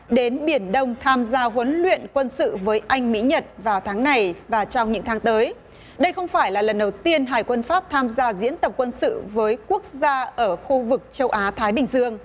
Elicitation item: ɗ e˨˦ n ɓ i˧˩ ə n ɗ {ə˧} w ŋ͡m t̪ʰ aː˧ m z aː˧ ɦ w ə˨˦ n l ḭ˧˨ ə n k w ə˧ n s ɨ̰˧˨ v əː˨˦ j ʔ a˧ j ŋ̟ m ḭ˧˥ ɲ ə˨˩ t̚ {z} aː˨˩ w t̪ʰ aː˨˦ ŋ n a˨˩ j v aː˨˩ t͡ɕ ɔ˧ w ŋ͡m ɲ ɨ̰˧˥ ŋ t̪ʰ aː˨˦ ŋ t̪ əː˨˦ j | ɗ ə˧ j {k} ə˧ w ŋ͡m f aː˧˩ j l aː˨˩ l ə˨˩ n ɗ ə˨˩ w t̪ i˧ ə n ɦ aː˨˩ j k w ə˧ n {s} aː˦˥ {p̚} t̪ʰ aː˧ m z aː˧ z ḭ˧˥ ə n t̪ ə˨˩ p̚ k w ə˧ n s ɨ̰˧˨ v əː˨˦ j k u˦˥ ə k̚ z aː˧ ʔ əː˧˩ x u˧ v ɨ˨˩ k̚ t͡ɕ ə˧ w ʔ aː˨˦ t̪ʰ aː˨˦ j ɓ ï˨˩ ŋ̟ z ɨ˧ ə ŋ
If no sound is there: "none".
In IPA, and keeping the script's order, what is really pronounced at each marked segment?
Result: ə˧, v, x, f, p̚

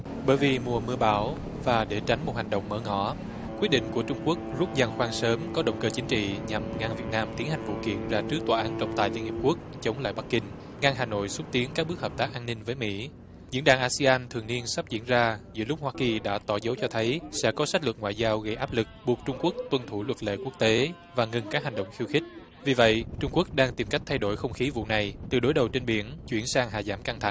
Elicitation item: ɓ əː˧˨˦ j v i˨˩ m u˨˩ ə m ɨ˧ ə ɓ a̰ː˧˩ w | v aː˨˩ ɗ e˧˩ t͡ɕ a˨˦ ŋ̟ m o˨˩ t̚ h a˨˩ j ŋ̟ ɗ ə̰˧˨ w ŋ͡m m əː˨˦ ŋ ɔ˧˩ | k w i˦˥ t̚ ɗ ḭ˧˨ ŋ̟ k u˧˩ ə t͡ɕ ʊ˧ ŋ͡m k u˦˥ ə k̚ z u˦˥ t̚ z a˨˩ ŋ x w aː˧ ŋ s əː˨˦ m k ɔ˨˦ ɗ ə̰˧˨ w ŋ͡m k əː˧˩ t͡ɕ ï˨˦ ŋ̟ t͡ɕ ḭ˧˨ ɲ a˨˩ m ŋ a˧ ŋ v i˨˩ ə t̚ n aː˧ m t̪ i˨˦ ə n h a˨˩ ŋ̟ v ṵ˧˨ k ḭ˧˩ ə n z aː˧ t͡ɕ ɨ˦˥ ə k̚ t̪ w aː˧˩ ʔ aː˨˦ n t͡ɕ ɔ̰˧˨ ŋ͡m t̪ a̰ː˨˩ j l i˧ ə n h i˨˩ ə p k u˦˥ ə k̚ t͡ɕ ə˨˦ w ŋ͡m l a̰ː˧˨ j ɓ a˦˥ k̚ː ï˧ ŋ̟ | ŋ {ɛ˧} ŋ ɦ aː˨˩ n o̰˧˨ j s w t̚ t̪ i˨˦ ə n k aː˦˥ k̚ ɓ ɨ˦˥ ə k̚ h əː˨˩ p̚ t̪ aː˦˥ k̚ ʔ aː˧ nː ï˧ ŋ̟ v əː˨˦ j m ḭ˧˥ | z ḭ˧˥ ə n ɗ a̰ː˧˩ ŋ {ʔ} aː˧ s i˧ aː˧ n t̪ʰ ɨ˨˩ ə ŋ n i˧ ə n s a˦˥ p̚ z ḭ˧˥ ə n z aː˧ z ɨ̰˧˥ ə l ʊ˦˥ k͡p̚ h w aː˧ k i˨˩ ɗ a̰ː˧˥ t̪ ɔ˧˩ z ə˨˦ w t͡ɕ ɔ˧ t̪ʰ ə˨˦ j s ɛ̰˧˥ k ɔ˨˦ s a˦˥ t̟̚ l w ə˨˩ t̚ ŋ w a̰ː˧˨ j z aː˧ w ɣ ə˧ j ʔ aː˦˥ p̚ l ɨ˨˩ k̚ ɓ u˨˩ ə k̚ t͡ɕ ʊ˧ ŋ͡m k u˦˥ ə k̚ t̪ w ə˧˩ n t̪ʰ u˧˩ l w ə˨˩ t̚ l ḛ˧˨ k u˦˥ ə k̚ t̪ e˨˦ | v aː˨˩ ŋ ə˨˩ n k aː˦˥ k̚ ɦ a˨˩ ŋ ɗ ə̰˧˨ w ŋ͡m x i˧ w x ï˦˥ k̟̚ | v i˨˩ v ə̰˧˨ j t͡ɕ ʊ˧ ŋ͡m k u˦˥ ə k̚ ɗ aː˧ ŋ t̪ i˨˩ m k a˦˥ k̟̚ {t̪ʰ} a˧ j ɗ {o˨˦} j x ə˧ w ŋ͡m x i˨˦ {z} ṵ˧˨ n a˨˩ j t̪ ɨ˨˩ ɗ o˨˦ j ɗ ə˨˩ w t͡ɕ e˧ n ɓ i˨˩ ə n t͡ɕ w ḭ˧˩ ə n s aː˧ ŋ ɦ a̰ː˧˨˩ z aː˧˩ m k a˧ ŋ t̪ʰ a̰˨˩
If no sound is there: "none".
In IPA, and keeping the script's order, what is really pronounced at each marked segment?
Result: a˧, ʔ, t̪ʰ, o˧˩, v

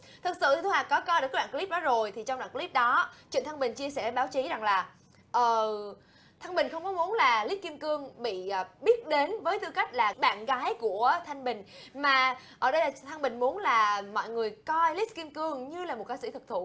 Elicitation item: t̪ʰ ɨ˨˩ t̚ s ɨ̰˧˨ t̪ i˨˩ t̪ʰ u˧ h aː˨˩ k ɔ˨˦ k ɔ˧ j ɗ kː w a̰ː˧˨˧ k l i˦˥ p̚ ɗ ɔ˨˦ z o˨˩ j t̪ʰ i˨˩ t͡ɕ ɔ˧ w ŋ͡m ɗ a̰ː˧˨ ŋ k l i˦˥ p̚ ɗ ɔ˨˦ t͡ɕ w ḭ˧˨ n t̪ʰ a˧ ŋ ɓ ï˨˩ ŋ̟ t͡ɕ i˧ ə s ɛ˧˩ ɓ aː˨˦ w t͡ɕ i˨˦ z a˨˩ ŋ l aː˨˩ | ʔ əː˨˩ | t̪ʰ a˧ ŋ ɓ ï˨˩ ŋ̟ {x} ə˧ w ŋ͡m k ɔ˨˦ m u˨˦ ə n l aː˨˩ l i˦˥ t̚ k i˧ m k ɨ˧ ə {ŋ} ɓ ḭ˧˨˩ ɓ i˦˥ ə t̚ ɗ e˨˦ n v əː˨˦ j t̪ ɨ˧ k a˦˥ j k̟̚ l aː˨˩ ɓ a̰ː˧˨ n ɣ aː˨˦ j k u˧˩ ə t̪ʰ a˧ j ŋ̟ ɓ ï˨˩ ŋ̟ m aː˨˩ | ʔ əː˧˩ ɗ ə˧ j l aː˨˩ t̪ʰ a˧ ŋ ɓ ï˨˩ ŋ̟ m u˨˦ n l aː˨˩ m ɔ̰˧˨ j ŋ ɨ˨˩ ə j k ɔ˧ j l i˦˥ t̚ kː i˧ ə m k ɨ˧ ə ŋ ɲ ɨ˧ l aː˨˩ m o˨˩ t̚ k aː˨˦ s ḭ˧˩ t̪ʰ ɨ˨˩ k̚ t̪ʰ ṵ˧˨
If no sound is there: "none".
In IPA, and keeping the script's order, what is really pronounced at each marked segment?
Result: x, ŋ

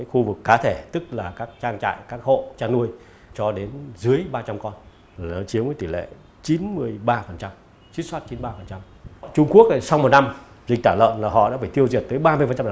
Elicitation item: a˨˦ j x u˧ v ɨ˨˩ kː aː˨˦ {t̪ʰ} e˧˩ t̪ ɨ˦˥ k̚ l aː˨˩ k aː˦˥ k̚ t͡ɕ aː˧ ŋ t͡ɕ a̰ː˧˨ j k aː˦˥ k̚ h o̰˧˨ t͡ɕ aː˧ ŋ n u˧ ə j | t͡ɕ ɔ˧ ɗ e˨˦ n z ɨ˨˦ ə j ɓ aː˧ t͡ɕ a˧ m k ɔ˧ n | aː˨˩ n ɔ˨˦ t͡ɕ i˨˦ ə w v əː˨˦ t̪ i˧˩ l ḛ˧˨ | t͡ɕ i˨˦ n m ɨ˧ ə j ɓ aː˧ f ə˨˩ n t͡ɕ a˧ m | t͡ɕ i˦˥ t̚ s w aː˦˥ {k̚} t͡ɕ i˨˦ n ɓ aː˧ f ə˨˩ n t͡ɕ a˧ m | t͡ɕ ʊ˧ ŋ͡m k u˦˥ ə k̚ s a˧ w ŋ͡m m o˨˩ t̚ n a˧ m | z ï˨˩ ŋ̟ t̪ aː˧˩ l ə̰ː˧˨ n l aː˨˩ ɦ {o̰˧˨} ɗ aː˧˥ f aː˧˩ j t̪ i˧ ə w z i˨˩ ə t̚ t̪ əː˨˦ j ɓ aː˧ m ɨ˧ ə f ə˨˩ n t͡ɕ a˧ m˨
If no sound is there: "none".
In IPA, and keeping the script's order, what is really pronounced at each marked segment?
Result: t̪ʰ, t̚, ɔ̰˧˨

